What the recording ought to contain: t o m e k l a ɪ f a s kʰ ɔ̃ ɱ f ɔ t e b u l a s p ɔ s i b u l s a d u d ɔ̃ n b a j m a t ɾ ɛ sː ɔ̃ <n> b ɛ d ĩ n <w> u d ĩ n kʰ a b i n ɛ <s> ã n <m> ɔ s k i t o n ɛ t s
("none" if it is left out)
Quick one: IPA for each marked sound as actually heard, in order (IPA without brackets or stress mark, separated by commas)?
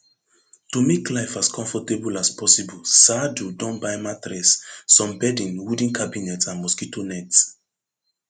m, w, t, m